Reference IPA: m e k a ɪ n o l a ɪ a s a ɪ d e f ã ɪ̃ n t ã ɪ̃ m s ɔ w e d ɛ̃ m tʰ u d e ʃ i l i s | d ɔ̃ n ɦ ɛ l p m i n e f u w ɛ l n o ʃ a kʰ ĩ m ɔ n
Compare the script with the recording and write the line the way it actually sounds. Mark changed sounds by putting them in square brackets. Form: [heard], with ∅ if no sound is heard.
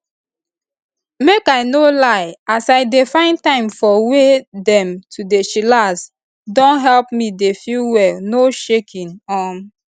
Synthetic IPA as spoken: m e k a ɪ n o l a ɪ a s a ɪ d e f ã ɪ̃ n t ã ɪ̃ m [f] ɔ w e d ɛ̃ m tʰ u d e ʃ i l [a] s | d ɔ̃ n ɦ ɛ l p m i [d] e f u w ɛ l n o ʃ [e] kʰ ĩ [n] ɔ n

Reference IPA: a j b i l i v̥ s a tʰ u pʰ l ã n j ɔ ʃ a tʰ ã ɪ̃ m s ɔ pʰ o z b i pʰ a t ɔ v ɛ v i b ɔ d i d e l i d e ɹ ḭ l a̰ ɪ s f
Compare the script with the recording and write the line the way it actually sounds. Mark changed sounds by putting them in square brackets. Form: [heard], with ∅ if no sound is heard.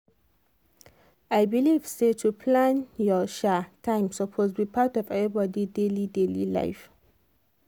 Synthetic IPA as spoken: a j b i l i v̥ s [e] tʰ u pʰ l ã n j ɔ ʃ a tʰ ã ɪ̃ m s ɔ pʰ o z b i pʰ a t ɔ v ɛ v i b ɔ d i d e l i d e [l] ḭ l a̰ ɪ [∅] f

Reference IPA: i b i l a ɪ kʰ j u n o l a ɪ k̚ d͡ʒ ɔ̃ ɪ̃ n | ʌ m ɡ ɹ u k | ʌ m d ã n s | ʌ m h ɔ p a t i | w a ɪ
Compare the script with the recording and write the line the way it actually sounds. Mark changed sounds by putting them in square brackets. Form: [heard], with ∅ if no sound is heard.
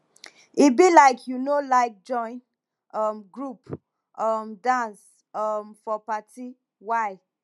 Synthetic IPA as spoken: i b i l a ɪ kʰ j u n o l a ɪ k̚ d͡ʒ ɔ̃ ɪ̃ n | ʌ m ɡ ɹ u [p] | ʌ m d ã n s | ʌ m [f] ɔ p a t i | w a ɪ

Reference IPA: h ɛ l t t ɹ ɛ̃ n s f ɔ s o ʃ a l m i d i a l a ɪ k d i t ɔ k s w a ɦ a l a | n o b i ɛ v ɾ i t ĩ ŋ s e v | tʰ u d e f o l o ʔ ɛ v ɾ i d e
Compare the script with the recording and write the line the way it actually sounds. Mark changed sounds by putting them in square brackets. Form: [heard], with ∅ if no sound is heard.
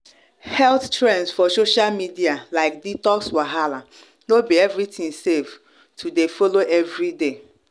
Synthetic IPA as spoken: h ɛ l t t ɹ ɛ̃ n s f ɔ s o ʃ a l m i d i a l a ɪ k d i t ɔ k s w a ɦ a l a | n o b i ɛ v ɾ i t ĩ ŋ s e v | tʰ u d e f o l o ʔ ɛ v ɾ i d e

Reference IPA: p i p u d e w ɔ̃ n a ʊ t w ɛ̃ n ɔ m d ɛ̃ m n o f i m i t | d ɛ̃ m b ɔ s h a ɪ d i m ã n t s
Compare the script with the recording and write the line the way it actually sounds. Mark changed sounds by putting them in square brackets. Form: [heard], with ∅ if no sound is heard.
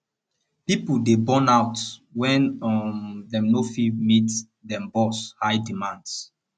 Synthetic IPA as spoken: p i p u d e [b] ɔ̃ n a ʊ t w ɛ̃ n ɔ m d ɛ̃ m n o f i m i t | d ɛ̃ m b ɔ s h a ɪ d i m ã n [d] s

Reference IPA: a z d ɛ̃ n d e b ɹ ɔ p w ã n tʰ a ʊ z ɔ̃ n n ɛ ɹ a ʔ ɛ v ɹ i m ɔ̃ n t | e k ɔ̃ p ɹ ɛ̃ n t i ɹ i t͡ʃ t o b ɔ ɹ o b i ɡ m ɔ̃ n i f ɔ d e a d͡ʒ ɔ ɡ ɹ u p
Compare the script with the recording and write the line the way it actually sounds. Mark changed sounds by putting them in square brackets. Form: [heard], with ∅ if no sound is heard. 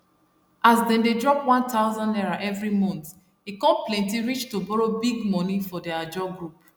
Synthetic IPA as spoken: a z d ɛ̃ n d e [d] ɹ ɔ p w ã n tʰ a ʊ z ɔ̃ n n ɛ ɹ a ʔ ɛ v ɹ i m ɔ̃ n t | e k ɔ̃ p [l] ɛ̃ n t i ɹ i t͡ʃ t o b ɔ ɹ o b i ɡ m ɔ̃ n i f ɔ d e a d͡ʒ ɔ ɡ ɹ u p

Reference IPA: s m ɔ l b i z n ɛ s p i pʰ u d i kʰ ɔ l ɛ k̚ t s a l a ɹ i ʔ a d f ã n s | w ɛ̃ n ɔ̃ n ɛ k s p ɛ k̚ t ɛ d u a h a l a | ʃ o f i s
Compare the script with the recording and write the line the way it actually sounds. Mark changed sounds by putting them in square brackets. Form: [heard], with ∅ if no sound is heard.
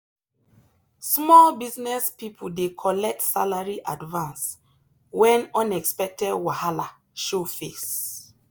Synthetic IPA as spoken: s m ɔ l b i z n ɛ s p i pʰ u d [e] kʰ ɔ l ɛ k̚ t s a l a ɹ i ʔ a d [v] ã n s | w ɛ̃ n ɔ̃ n ɛ k s p ɛ k̚ t ɛ d [w] a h a l a | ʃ o f [e] s

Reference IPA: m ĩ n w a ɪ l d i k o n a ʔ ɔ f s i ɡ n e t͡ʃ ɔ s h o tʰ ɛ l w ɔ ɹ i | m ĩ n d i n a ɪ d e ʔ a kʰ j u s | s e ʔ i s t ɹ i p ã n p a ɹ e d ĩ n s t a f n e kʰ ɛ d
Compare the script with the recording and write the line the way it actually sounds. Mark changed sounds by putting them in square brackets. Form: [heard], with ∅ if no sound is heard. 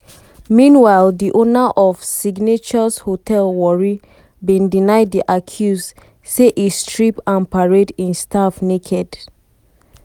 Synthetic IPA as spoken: m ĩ n w a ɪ l d i [ʔ] o n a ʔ ɔ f s i ɡ n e t͡ʃ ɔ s h o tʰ ɛ l w ɔ ɹ i | [b] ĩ n d i n a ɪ d [i] ʔ a kʰ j u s | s e ʔ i s t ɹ i p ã n p a ɹ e d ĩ n s t a f n e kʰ ɛ d

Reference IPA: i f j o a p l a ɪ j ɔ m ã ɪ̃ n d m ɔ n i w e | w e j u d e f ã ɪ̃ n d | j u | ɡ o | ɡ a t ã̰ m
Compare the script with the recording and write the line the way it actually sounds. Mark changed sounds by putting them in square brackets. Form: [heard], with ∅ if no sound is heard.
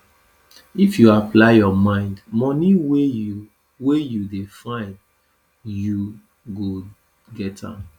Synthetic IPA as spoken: i f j [u] a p l a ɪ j ɔ m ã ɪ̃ n d m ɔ n i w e | w e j u d e f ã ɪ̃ n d | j u | ɡ o | ɡ [ɛ] t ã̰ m

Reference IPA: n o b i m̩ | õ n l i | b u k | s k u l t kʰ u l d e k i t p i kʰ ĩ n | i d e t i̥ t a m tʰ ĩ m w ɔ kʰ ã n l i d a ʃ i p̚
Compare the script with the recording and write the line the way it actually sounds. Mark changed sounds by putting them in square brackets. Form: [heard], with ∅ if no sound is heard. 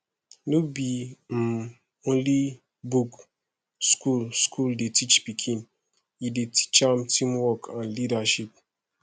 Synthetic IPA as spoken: n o b i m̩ | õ n l i | b u k | s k u l [s] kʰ u l d e [t] i [t͡ʃ] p i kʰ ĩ n | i d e t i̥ [t͡ʃ] a m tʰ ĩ m w ɔ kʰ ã n l i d a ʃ i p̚

